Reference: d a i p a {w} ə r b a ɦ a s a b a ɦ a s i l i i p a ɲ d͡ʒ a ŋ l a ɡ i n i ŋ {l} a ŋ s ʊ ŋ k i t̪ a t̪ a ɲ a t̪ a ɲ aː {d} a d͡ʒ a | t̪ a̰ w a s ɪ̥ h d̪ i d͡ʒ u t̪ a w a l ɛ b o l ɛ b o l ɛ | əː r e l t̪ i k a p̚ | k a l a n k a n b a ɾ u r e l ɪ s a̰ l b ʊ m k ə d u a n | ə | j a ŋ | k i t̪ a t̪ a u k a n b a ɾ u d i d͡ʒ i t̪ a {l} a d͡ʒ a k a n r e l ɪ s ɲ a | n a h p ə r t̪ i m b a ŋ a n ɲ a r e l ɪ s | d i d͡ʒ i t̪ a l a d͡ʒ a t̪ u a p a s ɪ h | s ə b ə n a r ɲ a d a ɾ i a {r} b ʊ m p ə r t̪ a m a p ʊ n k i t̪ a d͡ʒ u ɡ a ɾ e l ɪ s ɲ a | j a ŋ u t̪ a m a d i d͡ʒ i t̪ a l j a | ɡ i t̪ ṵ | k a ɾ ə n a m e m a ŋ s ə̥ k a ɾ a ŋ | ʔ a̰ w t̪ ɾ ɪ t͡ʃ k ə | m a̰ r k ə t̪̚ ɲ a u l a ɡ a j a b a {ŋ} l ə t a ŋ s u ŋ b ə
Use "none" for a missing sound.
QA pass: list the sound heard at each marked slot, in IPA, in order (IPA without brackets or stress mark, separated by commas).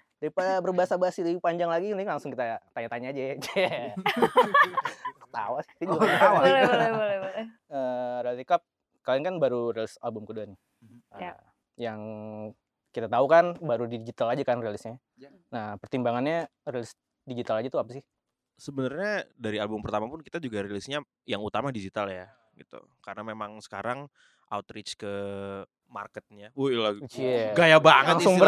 b, l, d͡ʒ, l, l, ŋ